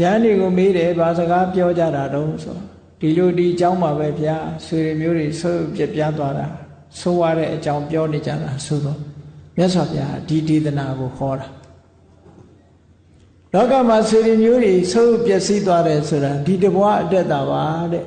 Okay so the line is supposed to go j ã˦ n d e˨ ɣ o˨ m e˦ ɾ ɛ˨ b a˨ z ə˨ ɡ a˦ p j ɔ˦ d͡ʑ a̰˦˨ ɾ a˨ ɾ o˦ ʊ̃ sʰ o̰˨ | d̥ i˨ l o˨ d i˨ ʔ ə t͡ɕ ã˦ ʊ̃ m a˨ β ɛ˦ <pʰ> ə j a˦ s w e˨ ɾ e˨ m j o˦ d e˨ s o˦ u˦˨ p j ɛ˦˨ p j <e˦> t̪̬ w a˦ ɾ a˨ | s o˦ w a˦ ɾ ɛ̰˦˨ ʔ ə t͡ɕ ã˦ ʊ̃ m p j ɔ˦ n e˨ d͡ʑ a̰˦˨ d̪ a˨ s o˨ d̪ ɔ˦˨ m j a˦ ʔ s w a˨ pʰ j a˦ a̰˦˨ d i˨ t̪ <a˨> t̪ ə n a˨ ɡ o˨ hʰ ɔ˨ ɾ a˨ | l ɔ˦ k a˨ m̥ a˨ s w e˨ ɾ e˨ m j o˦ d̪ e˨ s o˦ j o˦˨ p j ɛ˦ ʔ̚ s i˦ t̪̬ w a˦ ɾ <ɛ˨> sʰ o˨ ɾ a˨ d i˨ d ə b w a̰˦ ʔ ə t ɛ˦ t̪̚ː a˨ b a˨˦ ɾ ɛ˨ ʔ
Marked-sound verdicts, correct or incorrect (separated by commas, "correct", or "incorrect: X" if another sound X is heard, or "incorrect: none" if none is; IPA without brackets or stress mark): correct, incorrect: a˦, incorrect: e˨, correct